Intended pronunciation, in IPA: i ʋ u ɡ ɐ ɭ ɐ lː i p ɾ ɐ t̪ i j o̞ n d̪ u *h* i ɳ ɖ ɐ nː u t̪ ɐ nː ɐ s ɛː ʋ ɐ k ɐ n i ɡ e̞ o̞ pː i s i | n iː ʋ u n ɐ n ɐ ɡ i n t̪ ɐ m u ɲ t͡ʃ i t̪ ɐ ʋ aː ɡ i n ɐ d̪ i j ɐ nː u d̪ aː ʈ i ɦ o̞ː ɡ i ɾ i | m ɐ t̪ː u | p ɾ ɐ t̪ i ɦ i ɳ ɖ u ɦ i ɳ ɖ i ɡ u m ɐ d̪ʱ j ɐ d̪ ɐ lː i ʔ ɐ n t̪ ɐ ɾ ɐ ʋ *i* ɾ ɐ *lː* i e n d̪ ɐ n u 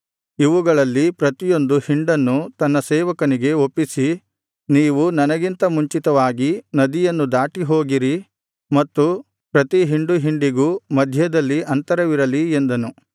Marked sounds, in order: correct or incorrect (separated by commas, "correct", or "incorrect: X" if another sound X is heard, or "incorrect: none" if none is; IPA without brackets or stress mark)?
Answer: correct, correct, incorrect: l